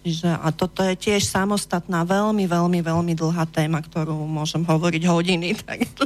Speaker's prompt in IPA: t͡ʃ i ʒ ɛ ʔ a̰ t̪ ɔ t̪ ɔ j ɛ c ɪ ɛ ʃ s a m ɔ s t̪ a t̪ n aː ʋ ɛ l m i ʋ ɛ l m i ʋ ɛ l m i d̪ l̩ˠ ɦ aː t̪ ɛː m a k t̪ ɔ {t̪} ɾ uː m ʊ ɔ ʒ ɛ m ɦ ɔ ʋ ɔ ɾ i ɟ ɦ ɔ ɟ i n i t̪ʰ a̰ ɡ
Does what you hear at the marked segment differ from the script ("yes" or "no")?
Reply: yes